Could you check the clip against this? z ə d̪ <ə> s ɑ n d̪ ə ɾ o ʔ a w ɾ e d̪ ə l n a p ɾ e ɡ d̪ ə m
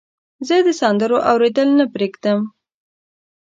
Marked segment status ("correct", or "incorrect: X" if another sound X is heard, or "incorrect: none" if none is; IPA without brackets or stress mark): correct